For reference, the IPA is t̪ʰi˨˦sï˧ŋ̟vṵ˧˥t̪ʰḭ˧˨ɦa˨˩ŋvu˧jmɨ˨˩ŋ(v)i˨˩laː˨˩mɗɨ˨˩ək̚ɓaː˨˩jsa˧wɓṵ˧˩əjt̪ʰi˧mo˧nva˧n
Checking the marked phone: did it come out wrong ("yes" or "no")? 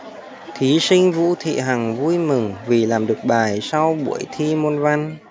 no